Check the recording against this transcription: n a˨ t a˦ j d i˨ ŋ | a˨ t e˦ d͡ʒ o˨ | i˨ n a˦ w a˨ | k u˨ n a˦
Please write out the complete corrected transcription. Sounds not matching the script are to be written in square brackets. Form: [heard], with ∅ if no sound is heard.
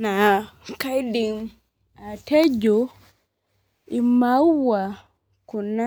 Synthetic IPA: n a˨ [k] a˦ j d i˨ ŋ | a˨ t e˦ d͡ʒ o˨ | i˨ [m] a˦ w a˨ | k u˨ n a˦